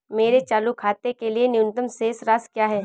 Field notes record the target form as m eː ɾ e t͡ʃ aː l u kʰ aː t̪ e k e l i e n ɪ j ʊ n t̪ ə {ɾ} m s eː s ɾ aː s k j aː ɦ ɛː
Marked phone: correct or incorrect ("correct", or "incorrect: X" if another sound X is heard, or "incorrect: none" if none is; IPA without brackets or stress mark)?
incorrect: none